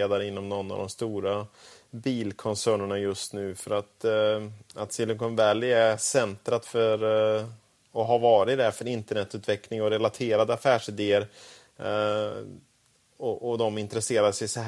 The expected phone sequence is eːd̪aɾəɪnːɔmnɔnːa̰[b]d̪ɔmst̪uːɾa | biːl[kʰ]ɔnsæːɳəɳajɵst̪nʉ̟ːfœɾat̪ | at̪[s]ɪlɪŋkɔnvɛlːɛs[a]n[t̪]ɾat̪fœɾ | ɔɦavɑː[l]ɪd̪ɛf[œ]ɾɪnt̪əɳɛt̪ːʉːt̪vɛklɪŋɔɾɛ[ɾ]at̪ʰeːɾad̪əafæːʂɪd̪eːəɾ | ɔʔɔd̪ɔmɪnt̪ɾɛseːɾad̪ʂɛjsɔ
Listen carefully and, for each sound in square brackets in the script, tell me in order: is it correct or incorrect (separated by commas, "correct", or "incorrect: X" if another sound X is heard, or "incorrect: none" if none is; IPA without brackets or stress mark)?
incorrect: v, correct, correct, incorrect: ɛ, correct, incorrect: ɾ, correct, incorrect: l